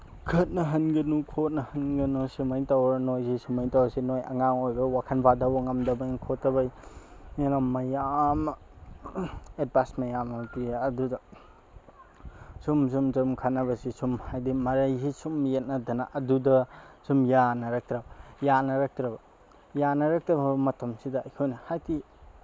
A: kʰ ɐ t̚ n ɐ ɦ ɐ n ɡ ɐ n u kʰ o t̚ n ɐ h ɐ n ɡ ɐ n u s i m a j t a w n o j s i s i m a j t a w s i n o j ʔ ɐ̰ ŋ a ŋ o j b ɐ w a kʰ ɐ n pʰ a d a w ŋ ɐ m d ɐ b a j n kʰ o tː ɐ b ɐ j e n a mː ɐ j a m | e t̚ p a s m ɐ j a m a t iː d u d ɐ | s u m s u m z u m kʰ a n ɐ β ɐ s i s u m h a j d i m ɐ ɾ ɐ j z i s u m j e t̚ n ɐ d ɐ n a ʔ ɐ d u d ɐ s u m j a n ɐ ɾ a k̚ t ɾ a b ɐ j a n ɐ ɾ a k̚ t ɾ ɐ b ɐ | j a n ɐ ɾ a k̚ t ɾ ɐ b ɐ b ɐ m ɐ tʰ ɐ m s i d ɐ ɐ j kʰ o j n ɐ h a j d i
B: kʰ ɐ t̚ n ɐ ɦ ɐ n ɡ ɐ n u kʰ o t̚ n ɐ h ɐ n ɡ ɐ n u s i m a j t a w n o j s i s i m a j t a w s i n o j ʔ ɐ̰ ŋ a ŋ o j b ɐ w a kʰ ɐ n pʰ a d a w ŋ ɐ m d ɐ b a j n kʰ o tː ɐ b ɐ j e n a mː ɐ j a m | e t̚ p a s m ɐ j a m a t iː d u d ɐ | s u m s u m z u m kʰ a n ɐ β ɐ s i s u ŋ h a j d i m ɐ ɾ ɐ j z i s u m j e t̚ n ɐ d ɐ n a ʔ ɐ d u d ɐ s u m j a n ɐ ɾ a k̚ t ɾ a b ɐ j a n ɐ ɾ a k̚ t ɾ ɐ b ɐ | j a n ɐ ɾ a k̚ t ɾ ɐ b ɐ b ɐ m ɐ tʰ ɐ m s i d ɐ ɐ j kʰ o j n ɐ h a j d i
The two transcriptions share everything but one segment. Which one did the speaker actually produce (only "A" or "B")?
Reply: A